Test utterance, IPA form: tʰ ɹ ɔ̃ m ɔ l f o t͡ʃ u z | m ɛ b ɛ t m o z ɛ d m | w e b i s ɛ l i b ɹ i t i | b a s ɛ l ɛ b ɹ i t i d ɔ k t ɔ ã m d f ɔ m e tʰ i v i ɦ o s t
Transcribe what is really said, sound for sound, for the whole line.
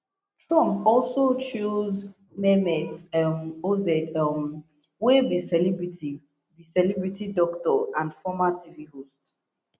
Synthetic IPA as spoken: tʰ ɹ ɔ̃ m ɔ l s o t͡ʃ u z | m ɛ m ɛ t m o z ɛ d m | w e b i s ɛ l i b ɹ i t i | b i s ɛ l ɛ b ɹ i t i d ɔ k t ɔ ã n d f ɔ m a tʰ i v i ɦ o s t